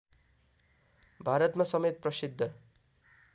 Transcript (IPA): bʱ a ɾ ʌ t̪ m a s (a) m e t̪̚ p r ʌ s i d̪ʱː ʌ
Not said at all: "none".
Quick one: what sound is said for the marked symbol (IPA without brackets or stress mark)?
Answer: ʌ